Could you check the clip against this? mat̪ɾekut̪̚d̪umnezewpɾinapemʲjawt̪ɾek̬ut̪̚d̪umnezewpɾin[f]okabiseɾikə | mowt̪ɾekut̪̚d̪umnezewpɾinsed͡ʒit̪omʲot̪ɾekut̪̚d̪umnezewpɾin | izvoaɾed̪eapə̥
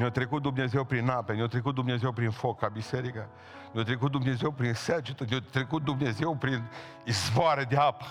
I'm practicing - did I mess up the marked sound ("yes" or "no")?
no